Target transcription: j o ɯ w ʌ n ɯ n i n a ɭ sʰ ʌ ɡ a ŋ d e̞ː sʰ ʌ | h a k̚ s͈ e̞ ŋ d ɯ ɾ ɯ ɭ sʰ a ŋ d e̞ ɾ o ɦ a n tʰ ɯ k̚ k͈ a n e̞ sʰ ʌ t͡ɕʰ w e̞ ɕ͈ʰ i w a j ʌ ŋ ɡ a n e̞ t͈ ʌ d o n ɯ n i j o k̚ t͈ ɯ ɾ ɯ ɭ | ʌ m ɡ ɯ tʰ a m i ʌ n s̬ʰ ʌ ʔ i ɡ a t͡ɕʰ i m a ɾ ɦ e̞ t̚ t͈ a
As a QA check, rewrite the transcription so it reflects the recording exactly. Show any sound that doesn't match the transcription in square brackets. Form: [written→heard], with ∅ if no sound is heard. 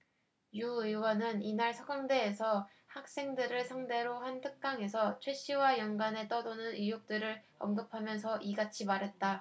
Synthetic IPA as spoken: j [o→u] ɯ w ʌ n ɯ n i n a ɭ sʰ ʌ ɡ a ŋ d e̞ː sʰ ʌ | h a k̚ s͈ e̞ ŋ d ɯ ɾ ɯ ɭ sʰ a ŋ d e̞ ɾ o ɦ a n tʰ ɯ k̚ k͈ a [n→ŋ] e̞ sʰ ʌ t͡ɕʰ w e̞ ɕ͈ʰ i w a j ʌ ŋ ɡ a n e̞ t͈ ʌ d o n ɯ n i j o k̚ t͈ ɯ ɾ ɯ ɭ | ʌ m ɡ ɯ [tʰ→pʰ] a m [i→j] ʌ n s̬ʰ ʌ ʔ i ɡ a t͡ɕʰ i m a ɾ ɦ e̞ t̚ t͈ a